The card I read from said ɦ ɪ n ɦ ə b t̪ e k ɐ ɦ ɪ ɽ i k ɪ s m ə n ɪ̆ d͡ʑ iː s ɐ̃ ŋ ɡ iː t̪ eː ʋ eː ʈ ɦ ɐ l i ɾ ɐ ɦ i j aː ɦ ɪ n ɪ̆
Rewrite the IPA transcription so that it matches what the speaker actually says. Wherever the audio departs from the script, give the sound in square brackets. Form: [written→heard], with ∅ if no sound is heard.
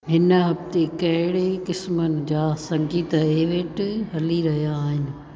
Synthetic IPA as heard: ɦ ɪ n ɦ [ə→ɐ] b t̪ e k ɐ ɦ ɪ ɽ [i→e] k ɪ s m ə n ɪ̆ d͡ʑ [iː→aː] s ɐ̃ ŋ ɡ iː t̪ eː ʋ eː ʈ ɦ ɐ l i ɾ ɐ ɦ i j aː ɦ ɪ n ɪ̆

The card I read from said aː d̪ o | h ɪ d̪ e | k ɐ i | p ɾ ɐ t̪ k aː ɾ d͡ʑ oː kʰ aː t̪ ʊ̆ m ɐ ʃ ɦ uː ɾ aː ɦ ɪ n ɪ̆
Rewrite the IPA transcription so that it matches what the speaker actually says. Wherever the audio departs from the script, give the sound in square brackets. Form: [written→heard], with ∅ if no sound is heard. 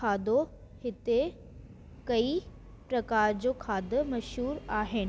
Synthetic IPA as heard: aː d̪ o | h ɪ [d̪→t̪] e | k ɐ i | p ɾ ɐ [t̪→∅] k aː ɾ d͡ʑ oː kʰ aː [t̪→d̪] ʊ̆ m ɐ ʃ ɦ uː ɾ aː ɦ ɪ n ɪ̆

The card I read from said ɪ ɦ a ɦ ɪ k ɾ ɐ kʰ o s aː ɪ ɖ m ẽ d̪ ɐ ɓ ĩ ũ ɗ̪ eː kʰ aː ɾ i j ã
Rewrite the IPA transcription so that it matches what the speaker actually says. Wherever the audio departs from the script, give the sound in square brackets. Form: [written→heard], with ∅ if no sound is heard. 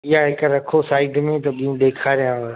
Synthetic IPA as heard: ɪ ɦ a ɦ ɪ k ɾ ɐ kʰ o s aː ɪ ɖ m ẽ [d̪→t̪] ɐ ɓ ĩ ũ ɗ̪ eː kʰ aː ɾ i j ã

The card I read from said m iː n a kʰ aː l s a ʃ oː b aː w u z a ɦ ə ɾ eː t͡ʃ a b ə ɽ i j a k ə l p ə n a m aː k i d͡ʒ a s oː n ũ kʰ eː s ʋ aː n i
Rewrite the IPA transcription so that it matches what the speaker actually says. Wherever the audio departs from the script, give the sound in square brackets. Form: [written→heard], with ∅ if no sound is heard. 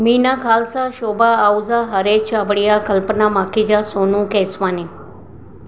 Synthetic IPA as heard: m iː n a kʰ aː l s a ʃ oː b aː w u z a ɦ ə ɾ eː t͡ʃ a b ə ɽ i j a k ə l p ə n a m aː k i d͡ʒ a s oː n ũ [kʰ→k] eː s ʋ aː n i

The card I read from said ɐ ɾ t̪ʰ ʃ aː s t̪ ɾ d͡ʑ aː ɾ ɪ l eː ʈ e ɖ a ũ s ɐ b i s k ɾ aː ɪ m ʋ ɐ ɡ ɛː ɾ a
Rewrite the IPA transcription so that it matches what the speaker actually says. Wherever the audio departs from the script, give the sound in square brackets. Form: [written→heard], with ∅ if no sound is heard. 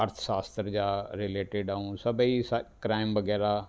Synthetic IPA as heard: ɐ ɾ t̪ʰ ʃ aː s t̪ ɾ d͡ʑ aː ɾ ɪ l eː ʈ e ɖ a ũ s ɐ b i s k ɾ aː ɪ m ʋ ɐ ɡ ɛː ɾ a

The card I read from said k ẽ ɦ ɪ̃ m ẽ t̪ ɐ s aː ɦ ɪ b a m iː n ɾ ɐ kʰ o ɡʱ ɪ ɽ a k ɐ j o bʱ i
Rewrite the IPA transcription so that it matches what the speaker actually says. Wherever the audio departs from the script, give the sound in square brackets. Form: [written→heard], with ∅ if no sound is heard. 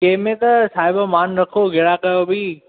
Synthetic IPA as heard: k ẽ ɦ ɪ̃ m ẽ t̪ ɐ s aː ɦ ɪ b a m [iː→aː] n ɾ ɐ kʰ o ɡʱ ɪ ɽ a k ɐ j o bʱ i

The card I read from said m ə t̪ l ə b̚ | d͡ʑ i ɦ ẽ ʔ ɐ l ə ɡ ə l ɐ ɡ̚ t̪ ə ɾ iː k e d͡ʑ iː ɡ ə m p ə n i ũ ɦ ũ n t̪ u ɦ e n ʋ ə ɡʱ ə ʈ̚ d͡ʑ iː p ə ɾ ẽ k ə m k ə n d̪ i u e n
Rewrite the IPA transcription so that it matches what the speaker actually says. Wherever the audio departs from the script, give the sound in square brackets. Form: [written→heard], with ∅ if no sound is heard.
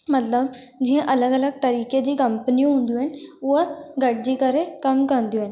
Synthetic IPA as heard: m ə t̪ l ə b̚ | d͡ʑ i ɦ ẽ ʔ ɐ l ə ɡ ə l [ɐ→ə] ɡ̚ t̪ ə ɾ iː k e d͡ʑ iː [ɡ→k] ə m p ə n i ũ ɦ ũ n [t̪→d̪] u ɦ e n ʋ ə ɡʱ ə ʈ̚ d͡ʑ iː [p→k] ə ɾ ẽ k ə m k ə n d̪ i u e n

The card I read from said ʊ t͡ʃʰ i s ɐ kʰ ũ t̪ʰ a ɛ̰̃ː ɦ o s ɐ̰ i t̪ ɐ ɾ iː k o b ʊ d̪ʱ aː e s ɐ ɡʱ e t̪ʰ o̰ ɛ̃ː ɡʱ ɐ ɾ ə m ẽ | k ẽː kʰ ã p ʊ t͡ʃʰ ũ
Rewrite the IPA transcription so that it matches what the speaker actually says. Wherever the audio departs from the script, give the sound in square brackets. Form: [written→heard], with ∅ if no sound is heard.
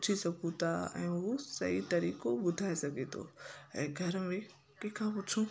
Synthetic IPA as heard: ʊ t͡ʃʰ i s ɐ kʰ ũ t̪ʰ a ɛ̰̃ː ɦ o s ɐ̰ i t̪ ɐ ɾ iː k o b ʊ d̪ʱ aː e s ɐ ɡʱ e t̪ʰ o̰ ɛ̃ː ɡʱ ɐ ɾ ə m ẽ | k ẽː kʰ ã p ʊ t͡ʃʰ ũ

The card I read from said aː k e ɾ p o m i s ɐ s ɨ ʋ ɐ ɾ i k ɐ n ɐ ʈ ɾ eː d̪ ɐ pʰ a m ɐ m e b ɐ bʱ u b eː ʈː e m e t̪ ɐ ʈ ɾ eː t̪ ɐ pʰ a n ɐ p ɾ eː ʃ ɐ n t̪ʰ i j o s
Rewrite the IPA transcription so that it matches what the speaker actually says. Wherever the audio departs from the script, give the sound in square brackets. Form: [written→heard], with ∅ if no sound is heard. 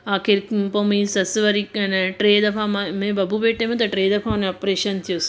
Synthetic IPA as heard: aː k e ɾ p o m i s ɐ s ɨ ʋ ɐ ɾ i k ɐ n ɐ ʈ ɾ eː d̪ ɐ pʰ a m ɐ m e b ɐ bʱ u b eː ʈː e m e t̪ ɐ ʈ ɾ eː [t̪→d̪] ɐ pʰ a n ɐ p ɾ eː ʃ ɐ n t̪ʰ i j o s

